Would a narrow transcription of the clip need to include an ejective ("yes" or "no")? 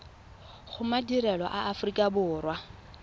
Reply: yes